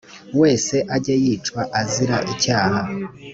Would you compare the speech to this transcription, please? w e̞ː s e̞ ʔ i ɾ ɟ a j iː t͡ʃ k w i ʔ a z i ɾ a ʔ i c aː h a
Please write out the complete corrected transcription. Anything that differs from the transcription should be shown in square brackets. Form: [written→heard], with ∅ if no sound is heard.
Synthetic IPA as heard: w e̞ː s e̞ ʔ [i→a] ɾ ɟ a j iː t͡ʃ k w [i→a] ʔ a z i ɾ a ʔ i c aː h a